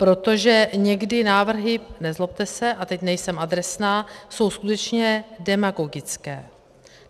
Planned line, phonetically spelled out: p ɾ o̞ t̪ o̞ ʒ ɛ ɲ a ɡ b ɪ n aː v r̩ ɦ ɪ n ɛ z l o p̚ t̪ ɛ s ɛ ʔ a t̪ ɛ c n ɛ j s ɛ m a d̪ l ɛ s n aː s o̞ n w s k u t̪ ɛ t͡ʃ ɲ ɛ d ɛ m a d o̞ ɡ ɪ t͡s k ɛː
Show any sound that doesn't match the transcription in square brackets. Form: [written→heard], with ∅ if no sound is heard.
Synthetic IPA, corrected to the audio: p ɾ o̞ t̪ o̞ ʒ ɛ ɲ [a→ɛ] ɡ [b→d] ɪ n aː v r̩ ɦ ɪ n ɛ z l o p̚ t̪ ɛ s ɛ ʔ a t̪ ɛ c n ɛ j s ɛ m a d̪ [l→ɾ] ɛ s n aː s o̞ [n→∅] w s k u t̪ ɛ t͡ʃ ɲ ɛ d ɛ m a [d→ɡ] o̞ ɡ ɪ t͡s k ɛː